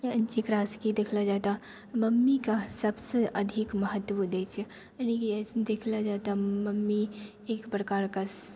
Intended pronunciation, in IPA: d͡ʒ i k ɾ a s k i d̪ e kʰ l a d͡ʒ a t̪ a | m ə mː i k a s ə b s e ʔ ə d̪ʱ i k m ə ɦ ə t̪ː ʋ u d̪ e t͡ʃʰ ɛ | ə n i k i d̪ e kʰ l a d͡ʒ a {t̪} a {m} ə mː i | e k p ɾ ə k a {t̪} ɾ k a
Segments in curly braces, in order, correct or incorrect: correct, correct, incorrect: none

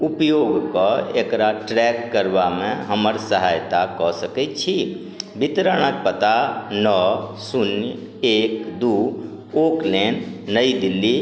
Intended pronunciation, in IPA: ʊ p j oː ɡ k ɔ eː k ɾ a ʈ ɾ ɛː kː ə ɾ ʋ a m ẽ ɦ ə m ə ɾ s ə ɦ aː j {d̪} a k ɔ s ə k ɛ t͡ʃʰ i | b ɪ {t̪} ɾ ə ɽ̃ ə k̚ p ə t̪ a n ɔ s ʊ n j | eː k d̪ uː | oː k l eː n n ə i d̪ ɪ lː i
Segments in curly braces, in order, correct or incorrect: incorrect: t̪, correct

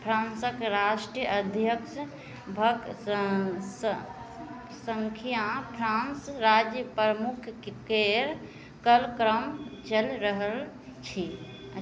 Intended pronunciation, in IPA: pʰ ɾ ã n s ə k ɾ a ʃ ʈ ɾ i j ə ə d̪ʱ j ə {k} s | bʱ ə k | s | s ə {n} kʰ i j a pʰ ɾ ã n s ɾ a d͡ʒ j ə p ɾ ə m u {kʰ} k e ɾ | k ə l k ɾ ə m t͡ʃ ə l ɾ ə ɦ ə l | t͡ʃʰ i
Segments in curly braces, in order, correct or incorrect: correct, incorrect: ŋ, correct

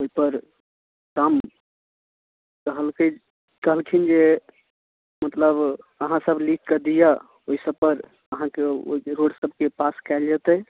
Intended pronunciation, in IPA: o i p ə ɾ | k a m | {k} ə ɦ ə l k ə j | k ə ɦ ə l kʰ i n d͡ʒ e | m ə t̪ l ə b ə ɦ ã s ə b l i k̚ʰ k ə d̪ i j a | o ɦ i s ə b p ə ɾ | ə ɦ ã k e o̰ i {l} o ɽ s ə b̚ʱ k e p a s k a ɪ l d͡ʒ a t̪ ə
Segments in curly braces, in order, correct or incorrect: correct, incorrect: ɾ

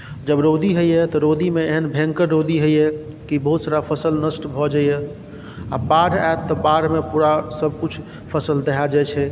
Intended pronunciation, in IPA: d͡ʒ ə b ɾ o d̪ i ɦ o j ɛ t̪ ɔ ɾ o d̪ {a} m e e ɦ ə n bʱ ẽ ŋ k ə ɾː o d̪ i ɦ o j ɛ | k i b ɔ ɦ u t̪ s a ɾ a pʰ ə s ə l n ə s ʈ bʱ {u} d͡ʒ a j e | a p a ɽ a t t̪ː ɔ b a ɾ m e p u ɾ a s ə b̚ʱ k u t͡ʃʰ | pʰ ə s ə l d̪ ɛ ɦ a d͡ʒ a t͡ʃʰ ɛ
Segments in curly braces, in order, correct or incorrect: incorrect: i, incorrect: ɔ

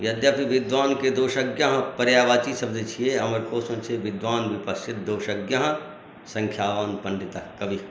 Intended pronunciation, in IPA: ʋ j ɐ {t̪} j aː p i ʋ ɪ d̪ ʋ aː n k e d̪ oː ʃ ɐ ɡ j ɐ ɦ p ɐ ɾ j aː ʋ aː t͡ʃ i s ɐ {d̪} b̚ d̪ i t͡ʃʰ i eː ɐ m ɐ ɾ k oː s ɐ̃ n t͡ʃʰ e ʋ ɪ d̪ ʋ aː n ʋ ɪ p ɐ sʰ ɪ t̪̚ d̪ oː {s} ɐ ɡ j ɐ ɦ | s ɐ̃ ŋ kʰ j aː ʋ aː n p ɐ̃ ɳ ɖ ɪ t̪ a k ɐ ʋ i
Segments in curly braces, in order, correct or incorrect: incorrect: d̪, incorrect: none, incorrect: ʃ

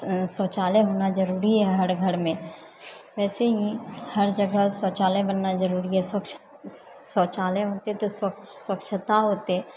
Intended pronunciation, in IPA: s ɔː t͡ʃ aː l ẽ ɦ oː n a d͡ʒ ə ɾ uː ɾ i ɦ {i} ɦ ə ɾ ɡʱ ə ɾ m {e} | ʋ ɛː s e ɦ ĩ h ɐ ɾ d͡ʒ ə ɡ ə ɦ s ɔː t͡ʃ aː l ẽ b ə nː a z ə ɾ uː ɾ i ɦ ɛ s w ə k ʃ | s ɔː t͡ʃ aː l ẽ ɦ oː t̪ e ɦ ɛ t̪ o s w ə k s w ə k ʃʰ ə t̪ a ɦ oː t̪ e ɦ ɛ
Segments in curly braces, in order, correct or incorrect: incorrect: ɛ, incorrect: ẽ

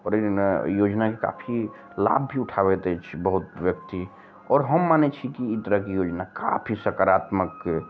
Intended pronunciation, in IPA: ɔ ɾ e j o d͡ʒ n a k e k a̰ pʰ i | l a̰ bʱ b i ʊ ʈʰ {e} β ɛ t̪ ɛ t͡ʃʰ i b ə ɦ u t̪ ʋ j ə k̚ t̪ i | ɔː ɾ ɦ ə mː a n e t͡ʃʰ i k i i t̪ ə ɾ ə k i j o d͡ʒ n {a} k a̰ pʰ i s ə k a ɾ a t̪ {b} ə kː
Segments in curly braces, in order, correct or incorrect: incorrect: a, correct, incorrect: m

